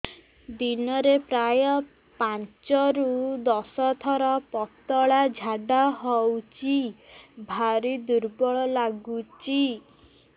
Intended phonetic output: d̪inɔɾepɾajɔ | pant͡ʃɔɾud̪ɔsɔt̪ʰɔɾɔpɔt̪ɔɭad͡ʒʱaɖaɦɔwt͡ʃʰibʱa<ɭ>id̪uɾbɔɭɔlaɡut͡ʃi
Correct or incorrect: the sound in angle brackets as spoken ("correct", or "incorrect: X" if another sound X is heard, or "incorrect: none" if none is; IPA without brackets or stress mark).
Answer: incorrect: ɾ